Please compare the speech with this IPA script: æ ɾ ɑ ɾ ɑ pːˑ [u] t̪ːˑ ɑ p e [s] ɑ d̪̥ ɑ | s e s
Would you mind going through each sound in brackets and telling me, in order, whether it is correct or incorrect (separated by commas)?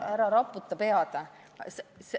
correct, incorrect